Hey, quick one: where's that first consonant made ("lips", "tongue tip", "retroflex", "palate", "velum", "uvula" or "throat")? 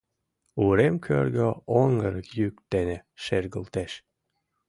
tongue tip